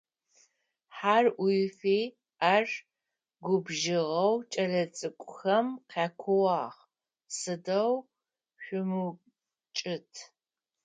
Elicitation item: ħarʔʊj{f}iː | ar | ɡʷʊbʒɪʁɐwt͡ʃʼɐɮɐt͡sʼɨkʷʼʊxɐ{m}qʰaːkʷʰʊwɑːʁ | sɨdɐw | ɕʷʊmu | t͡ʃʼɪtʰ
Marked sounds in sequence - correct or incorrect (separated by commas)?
correct, correct